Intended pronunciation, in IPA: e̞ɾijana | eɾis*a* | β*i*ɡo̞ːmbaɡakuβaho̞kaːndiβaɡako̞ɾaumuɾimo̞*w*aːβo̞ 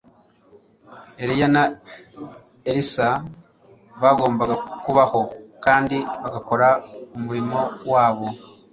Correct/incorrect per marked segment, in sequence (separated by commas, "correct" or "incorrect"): correct, incorrect, correct